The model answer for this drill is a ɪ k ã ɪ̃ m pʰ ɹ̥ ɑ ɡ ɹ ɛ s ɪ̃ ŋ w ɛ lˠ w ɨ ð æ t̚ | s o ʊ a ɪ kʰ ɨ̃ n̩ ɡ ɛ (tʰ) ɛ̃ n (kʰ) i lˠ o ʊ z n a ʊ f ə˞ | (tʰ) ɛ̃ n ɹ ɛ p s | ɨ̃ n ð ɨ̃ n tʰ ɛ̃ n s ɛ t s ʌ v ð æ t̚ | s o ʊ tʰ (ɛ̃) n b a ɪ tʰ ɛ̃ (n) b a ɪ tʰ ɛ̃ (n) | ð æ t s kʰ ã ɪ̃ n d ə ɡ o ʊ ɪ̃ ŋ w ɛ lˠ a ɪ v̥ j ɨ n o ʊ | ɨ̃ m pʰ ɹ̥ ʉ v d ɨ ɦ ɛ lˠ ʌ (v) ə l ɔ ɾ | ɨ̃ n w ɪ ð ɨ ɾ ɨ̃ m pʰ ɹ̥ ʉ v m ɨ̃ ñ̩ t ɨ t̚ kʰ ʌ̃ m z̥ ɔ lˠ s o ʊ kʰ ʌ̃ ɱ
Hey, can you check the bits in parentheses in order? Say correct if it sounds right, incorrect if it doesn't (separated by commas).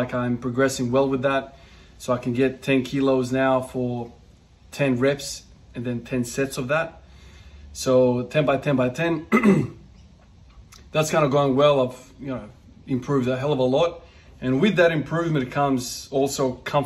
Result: correct, correct, correct, correct, correct, correct, correct